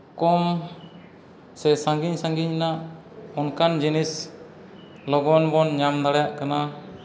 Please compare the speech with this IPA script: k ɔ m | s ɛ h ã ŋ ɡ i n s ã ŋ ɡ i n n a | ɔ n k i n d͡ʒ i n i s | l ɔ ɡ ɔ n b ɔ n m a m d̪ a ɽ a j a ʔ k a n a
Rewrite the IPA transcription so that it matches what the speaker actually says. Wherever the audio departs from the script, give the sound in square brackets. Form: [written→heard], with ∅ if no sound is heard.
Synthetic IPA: k ɔ m | s ɛ [h→s] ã ŋ ɡ i [n→ɲ] s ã ŋ ɡ i [n→ɲ] n a | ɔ n k [i→a] n d͡ʒ i n i s | l ɔ ɡ ɔ n b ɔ n [m→ɲ] a m d̪ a ɽ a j a ʔ k a n a

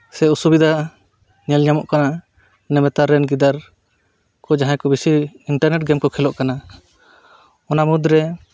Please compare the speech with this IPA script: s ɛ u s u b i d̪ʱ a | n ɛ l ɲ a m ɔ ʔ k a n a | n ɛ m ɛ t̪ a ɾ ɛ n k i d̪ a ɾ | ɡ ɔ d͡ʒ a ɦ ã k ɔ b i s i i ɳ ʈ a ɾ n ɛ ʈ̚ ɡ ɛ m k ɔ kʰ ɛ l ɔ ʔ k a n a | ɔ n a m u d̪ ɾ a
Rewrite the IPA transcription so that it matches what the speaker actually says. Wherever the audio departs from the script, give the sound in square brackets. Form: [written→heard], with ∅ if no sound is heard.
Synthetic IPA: s ɛ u s u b i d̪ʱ a | [n→ɲ] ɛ l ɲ a m ɔ ʔ k a n a | n ɛ m ɛ t̪ a ɾ ɛ n [k→ɡ] i d̪ a ɾ | [ɡ→k] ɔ d͡ʒ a ɦ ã k ɔ b i s i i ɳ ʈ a ɾ n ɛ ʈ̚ ɡ ɛ m k ɔ kʰ ɛ l ɔ ʔ k a n a | ɔ n a m u d̪ ɾ [a→ɛ]

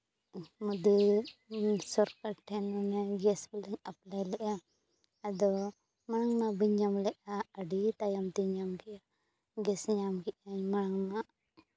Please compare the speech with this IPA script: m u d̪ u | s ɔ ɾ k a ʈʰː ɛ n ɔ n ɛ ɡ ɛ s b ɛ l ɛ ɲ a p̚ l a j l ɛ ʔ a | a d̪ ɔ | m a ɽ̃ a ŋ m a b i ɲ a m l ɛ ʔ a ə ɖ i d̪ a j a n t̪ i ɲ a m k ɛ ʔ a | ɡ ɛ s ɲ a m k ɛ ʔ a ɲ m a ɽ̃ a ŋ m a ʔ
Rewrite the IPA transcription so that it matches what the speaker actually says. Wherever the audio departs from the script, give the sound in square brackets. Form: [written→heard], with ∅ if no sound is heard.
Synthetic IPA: m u d̪ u | s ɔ ɾ k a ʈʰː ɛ n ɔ n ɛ ɡ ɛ s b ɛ l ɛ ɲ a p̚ l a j l ɛ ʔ a | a d̪ ɔ | m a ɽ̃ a ŋ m a b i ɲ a m l ɛ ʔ a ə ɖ i [d̪→t̪] a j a [n→m] t̪ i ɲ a m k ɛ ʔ a | ɡ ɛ s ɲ a m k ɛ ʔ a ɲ m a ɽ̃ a ŋ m a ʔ

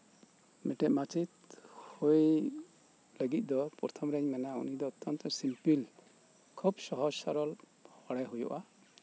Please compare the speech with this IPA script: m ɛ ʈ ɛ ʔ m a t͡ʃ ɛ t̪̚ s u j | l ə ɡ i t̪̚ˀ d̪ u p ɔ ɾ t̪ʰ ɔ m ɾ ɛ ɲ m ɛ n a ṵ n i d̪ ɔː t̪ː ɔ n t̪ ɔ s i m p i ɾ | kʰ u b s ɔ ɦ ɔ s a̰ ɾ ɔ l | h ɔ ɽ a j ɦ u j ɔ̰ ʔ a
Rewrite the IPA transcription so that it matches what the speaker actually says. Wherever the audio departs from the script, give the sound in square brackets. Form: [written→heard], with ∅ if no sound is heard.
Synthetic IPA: m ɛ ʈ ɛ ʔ m a t͡ʃ [ɛ→i] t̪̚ [s→h] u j | l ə ɡ i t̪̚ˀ d̪ [u→ɔ] p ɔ ɾ t̪ʰ ɔ m ɾ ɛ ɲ m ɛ n a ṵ n i d̪ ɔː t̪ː ɔ n t̪ ɔ s i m p i [ɾ→l] | kʰ u b s ɔ ɦ ɔ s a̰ ɾ ɔ l | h ɔ ɽ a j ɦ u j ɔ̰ ʔ a

